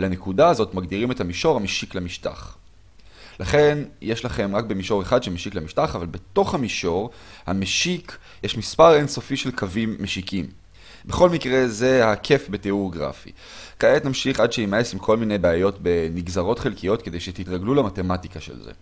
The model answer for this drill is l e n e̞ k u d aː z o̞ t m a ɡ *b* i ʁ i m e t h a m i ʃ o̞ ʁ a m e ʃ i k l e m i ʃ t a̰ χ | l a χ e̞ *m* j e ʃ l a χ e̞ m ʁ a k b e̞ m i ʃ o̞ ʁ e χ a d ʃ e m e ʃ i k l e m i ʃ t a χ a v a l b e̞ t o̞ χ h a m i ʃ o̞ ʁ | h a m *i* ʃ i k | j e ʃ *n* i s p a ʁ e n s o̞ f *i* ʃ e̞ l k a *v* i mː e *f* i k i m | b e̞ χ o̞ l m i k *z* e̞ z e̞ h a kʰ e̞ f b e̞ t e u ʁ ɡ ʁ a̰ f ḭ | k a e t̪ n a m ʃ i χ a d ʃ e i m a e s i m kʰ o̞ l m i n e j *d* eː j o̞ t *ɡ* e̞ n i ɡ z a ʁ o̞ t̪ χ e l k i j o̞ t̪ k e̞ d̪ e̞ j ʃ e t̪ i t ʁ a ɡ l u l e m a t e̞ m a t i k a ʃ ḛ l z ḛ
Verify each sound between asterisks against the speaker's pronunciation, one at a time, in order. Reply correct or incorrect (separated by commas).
incorrect, incorrect, incorrect, incorrect, correct, correct, incorrect, incorrect, incorrect, incorrect